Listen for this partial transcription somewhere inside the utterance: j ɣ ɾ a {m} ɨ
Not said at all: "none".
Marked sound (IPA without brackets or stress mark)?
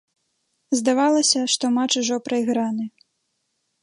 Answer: n